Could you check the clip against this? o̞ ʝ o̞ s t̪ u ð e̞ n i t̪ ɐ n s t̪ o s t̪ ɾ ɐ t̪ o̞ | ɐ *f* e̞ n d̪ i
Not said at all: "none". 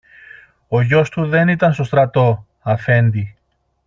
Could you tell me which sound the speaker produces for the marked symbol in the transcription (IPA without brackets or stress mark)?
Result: f